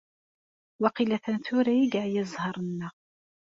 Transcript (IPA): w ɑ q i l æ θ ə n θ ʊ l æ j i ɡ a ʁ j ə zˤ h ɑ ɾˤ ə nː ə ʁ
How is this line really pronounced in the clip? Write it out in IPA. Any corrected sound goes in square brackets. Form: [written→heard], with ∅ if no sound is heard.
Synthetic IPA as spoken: w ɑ q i l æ θ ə n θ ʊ [l→ɾ] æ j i ɡ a [ʁ→ʕ] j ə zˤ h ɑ ɾˤ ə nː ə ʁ